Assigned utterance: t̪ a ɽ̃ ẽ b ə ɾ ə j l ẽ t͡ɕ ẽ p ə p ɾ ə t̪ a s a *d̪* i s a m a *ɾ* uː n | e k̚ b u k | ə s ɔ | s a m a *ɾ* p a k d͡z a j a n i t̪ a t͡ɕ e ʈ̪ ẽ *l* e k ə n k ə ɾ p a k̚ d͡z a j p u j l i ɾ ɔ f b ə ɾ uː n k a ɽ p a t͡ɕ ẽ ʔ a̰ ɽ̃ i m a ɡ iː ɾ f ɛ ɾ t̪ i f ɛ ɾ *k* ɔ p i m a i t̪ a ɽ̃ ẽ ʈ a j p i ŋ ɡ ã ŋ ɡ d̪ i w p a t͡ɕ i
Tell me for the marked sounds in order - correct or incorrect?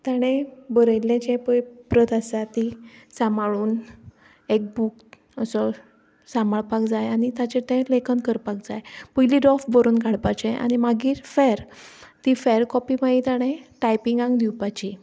incorrect: t̪, incorrect: ɭ, incorrect: ɭ, correct, correct

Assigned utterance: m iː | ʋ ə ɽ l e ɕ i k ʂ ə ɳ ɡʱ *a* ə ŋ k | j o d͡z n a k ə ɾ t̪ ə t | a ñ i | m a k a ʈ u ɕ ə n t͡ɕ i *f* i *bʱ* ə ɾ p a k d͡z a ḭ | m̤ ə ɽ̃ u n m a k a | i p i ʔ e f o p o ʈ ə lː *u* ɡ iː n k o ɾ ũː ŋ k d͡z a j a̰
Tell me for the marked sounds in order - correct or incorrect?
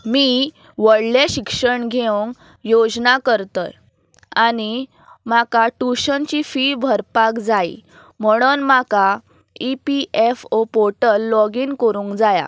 incorrect: e, correct, correct, incorrect: ɔ

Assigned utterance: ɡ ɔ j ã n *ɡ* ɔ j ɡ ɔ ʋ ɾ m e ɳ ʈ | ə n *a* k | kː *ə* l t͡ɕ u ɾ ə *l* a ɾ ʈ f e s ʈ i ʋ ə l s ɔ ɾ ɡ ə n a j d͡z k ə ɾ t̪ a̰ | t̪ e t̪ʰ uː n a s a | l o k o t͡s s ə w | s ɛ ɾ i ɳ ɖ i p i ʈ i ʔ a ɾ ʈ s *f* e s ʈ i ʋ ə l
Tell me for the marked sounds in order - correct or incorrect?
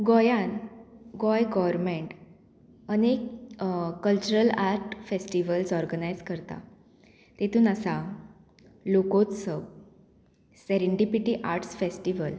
correct, incorrect: e, correct, correct, correct

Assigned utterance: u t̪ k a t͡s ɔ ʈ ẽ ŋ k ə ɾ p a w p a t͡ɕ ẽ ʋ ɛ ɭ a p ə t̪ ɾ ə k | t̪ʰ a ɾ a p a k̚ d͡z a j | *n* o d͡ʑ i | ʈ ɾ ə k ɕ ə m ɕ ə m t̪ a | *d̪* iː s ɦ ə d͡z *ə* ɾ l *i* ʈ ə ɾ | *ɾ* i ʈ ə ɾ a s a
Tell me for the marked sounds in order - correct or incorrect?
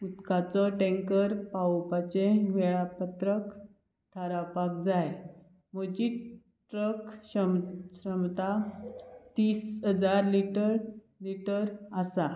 incorrect: m, incorrect: t̪, incorrect: a, correct, incorrect: l

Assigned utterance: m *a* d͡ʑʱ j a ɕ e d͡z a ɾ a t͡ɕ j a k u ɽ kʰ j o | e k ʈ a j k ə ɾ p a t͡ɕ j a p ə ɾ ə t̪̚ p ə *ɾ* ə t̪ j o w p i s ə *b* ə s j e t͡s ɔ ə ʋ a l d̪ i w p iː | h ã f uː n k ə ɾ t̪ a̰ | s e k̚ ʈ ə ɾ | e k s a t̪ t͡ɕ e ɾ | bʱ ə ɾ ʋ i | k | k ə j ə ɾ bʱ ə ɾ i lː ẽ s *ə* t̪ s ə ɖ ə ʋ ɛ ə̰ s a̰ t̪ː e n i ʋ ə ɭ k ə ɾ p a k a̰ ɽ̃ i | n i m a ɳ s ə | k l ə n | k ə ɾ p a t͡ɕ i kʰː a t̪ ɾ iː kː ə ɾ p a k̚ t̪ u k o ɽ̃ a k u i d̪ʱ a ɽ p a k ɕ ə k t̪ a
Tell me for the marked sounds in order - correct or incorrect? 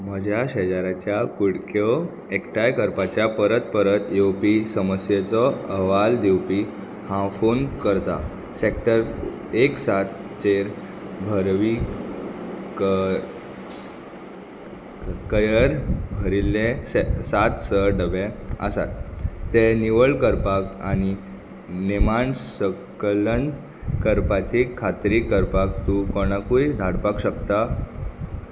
incorrect: ə, correct, incorrect: m, incorrect: a

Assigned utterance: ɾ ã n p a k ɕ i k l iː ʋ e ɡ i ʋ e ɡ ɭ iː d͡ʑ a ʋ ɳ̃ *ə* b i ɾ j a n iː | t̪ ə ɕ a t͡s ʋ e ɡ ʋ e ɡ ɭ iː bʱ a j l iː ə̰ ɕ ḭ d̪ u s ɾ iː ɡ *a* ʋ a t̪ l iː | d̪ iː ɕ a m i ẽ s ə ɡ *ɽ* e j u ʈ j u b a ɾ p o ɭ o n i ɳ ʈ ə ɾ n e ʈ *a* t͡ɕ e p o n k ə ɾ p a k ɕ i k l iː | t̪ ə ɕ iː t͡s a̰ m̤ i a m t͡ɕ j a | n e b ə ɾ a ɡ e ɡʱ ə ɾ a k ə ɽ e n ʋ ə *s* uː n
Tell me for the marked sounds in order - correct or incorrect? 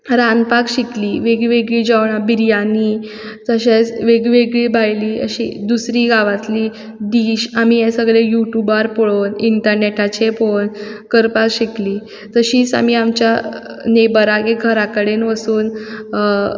incorrect: a, correct, incorrect: ɭ, correct, correct

